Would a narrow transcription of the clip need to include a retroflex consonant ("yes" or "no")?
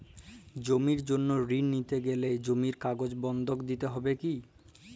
no